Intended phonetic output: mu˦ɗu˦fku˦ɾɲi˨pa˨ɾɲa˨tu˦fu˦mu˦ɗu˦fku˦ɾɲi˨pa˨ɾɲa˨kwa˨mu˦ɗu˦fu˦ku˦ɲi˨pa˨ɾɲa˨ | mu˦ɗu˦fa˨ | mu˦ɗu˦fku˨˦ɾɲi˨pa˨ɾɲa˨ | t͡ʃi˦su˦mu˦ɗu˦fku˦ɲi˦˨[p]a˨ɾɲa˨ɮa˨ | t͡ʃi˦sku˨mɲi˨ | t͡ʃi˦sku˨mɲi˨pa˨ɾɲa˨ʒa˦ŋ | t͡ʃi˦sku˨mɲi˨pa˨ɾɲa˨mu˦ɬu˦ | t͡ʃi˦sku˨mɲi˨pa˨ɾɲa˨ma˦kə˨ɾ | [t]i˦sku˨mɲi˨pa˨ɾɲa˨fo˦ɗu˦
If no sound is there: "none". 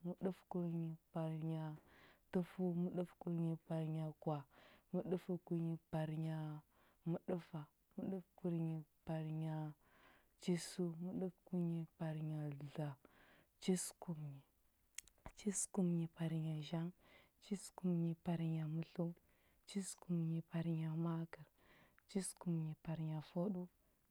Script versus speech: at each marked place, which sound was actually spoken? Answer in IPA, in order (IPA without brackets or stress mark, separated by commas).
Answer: p, t͡ʃ